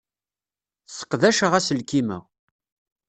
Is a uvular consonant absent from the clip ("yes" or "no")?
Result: no